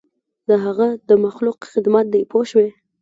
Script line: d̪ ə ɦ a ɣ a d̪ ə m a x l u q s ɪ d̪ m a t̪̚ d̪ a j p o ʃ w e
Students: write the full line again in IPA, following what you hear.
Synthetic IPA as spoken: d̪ ə ɦ a ɣ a d̪ ə m a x l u q x ɪ d̪ m a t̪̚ d̪ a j p o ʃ w e

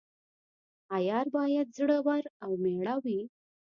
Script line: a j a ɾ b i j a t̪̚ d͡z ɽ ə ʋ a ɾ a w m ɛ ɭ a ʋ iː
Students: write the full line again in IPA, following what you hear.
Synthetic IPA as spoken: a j a ɾ b a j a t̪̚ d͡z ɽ ə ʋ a ɾ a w m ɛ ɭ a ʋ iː

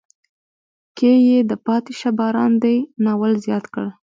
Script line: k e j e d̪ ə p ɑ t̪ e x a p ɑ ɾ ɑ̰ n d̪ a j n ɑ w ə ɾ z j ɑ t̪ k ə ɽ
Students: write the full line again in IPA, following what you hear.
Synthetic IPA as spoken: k e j e d̪ ə p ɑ t̪ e ʃ a b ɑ ɾ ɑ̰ n d̪ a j n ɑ w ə l z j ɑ t̪ k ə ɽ

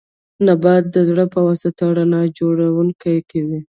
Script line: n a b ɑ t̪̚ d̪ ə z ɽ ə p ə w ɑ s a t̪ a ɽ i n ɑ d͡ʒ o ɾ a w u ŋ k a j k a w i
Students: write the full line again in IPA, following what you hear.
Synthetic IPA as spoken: n a b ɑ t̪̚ d̪ ə z ɽ ə p ə w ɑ s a t̪ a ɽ a n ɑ d͡ʒ o ɽ a w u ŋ k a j k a w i

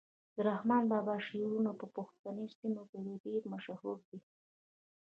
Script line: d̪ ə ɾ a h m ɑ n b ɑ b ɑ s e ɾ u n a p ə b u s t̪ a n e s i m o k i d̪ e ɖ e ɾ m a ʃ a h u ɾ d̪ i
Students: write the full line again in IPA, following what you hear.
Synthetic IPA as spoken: d̪ ə ɾ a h m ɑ n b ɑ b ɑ ʃ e ɾ u n a p ə p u x t̪ a n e s i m o k e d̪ e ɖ e ɾ m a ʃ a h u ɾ d̪ i

